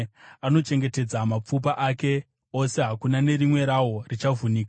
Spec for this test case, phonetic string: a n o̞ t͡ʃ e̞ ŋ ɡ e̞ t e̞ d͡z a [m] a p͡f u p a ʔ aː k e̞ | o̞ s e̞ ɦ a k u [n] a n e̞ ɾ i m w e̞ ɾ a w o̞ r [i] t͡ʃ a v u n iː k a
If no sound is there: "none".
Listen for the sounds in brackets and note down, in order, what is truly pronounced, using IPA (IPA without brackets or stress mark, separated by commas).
m, n, i